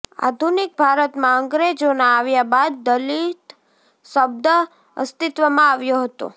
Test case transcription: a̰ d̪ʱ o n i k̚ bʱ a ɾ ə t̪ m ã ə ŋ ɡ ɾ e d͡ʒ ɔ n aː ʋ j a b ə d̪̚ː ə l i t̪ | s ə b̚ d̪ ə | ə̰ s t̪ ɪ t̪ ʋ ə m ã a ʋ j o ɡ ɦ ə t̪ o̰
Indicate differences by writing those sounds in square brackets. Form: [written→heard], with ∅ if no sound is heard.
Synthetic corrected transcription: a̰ d̪ʱ [o→u] n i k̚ bʱ a ɾ ə t̪ m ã ə ŋ ɡ ɾ e d͡ʒ [ɔ→o] n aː ʋ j a b [ə→a] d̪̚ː ə l i t̪ | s ə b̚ d̪ ə | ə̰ s t̪ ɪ t̪ ʋ ə m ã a ʋ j o [ɡ→∅] ɦ ə t̪ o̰